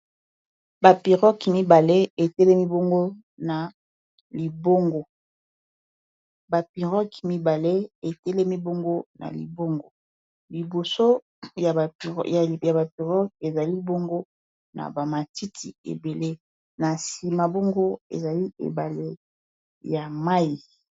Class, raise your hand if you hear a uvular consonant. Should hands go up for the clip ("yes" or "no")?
yes